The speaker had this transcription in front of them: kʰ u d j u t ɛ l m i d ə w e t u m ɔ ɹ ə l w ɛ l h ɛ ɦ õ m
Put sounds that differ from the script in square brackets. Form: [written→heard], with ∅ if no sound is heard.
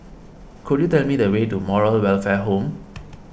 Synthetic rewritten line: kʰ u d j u t ɛ l m i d ə w e t u m ɔ ɹ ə l w ɛ l [h→f] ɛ ɦ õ m